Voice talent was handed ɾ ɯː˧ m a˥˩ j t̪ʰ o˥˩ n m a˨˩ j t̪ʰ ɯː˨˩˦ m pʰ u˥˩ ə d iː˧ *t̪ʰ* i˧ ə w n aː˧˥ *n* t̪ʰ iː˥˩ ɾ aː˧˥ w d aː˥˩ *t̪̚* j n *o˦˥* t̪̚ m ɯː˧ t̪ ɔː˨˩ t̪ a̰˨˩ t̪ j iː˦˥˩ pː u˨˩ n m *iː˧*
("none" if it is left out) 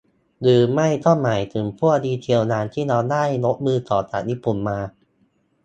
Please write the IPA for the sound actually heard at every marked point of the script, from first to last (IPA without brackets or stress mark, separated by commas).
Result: t̪ʰ, n, none, o˦˥, aː˧